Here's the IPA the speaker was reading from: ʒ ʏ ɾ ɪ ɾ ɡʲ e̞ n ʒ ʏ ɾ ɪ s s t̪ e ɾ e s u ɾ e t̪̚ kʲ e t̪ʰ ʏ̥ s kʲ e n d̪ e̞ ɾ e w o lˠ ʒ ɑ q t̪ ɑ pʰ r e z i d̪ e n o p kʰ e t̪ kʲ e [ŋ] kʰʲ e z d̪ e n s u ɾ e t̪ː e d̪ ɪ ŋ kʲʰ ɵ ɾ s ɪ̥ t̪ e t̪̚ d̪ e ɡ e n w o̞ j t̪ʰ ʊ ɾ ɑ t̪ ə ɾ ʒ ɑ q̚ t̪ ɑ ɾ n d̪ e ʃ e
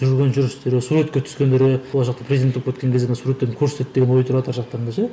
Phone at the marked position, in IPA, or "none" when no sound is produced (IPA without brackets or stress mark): ŋ